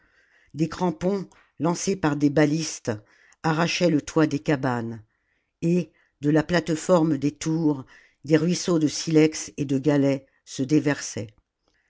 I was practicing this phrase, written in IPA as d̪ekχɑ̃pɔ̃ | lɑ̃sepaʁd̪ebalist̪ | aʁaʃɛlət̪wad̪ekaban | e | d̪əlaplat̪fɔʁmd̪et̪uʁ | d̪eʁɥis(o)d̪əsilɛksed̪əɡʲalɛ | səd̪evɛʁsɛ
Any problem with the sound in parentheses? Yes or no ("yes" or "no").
no